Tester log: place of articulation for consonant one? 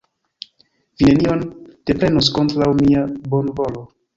labial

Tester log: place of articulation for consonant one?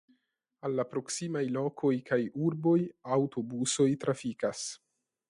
alveolar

